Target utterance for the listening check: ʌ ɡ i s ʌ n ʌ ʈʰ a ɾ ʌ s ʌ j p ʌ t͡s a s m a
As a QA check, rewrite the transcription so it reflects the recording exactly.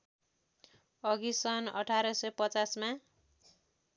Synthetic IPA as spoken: ʌ ɡ i s ʌ n ʌ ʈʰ a ɾ ʌ s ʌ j p ʌ t͡s a s m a